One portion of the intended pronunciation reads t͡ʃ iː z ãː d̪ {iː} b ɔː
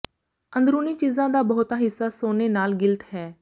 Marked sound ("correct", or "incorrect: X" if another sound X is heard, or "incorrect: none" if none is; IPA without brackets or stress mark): incorrect: aː